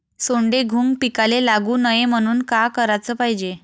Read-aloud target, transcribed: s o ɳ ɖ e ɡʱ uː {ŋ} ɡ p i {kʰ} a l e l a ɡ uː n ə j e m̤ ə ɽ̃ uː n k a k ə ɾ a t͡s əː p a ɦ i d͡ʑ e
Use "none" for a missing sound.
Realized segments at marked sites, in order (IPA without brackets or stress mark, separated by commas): ŋ, k